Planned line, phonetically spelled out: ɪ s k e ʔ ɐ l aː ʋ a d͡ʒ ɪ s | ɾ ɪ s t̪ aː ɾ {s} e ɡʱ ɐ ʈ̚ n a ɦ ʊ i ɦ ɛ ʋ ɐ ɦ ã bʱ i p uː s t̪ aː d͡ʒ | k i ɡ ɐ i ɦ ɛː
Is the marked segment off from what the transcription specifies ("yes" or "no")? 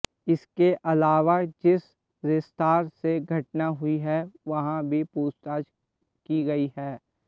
no